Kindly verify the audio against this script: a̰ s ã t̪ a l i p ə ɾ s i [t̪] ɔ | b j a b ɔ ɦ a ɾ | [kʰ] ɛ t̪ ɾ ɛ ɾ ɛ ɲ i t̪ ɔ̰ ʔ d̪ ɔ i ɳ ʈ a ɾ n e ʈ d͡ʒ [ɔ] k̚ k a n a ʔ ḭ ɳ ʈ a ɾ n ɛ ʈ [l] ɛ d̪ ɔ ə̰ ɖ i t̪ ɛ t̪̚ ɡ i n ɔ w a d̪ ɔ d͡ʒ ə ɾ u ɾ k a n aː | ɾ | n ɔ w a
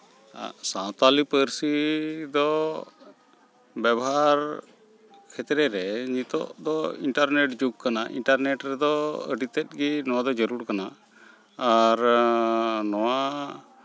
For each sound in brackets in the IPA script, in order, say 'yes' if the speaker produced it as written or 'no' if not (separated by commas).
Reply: no, yes, no, no